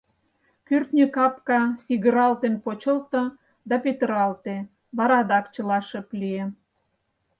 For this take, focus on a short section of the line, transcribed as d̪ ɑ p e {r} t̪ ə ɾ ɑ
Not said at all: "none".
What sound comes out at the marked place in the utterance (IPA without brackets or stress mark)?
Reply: none